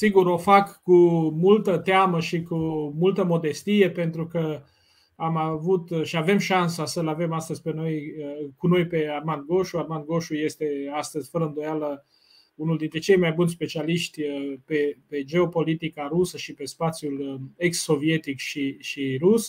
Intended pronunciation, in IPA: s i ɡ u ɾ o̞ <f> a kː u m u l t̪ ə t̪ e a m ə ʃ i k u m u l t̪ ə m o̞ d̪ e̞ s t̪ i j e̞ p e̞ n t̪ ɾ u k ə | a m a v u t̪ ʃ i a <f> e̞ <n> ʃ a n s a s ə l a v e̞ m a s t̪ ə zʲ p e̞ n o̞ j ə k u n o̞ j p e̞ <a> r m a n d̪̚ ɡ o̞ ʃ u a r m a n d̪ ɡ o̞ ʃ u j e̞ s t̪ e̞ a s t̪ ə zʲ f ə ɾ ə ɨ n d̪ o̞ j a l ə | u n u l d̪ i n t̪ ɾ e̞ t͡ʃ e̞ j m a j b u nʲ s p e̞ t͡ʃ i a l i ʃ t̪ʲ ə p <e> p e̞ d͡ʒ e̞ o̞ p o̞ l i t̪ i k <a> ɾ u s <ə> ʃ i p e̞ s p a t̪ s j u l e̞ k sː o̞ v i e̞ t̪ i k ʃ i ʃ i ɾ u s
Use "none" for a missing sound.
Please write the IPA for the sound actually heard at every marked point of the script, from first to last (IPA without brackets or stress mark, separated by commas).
f, v, m, a, e, a, ə